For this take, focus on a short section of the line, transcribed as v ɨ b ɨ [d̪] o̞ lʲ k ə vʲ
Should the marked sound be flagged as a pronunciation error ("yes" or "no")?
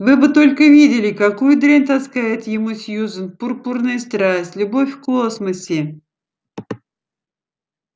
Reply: yes